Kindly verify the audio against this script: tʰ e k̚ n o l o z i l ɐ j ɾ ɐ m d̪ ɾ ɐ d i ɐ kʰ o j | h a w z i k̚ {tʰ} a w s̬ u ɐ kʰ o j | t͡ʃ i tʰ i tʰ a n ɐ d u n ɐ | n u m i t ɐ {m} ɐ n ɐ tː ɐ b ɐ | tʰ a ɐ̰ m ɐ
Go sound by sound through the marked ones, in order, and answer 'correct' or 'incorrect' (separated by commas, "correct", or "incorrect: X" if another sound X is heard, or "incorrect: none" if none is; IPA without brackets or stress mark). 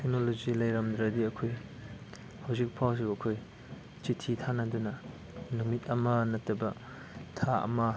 incorrect: pʰ, correct